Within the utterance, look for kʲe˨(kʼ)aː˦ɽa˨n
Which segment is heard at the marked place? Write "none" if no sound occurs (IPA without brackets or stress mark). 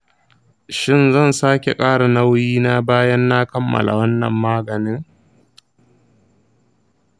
kʼ